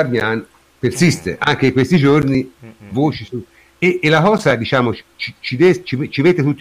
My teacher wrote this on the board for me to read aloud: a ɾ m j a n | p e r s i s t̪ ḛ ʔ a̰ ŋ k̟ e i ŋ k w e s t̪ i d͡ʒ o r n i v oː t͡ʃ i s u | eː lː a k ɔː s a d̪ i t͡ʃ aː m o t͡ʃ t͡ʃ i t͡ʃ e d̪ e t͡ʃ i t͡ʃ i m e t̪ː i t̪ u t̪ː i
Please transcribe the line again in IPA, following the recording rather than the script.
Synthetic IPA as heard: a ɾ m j a n | p e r s i s t̪ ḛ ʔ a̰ ŋ k̟ e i ŋ k w e s t̪ i d͡ʒ o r n i v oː t͡ʃ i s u | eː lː a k ɔː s a d̪ i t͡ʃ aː m o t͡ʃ t͡ʃ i t͡ʃ i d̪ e t͡ʃ i t͡ʃ i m e t̪ː e t̪ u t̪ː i